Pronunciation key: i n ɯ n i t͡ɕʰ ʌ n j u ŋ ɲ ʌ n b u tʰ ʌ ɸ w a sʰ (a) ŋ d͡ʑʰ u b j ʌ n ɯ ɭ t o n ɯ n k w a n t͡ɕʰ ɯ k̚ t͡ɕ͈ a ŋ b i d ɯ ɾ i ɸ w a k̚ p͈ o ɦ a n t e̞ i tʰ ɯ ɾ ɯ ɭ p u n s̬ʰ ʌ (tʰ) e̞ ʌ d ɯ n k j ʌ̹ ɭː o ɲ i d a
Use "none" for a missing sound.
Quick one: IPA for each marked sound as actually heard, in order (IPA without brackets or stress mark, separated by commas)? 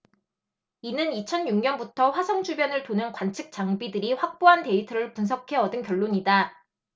ʌ, kʰ